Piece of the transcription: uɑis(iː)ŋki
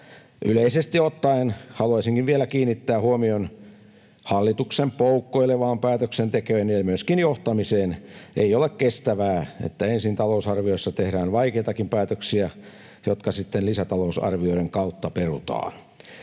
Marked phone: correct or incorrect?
incorrect: i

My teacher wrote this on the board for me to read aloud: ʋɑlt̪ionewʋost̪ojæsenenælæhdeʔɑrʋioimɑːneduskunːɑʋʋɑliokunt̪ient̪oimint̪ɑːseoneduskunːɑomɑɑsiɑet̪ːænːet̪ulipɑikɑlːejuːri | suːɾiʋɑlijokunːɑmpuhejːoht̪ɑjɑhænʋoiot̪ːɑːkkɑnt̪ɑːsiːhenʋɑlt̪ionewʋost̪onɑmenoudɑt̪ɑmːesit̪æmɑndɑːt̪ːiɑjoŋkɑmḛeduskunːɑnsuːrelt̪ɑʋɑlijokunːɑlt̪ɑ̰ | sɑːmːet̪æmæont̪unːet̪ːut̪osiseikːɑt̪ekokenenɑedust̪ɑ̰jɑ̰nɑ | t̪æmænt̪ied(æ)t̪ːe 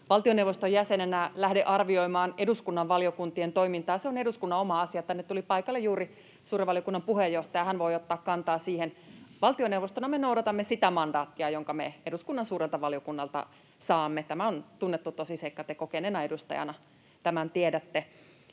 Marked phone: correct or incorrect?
correct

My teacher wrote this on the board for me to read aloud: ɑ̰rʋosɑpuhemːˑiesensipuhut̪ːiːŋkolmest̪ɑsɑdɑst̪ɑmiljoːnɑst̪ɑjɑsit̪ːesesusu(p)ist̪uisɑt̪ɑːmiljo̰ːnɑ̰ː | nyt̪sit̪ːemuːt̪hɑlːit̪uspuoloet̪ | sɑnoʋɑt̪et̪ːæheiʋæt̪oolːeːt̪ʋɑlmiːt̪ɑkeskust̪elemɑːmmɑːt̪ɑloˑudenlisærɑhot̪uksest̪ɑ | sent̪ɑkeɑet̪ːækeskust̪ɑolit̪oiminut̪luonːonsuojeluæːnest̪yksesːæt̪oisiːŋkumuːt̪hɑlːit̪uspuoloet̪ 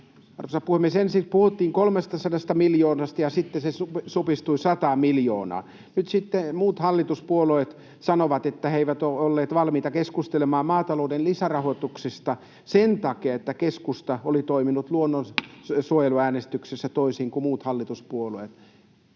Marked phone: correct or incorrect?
correct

